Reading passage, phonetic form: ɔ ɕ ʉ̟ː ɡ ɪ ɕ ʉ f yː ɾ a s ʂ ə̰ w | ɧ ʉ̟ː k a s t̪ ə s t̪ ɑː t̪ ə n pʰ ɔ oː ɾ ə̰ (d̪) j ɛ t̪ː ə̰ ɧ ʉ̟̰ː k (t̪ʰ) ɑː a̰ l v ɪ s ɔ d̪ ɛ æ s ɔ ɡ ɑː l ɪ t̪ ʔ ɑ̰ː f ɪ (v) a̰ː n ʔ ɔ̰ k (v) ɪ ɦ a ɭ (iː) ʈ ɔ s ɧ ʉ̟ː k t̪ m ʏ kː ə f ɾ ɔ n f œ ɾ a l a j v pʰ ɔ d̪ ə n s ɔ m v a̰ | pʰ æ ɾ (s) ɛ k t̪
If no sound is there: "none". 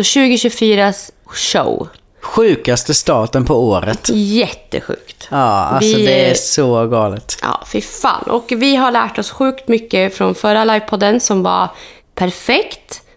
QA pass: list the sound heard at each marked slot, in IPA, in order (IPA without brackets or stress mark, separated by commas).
t̪, t̪, f, v, æː, f